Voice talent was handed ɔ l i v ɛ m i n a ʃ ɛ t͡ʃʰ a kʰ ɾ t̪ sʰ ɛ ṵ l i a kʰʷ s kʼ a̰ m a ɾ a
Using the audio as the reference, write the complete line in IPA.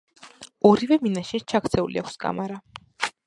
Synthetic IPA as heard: ɔ ɾ i v ɛ m i n a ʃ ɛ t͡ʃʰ a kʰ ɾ t̪ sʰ ɛ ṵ l i a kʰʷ s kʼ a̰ m a ɾ a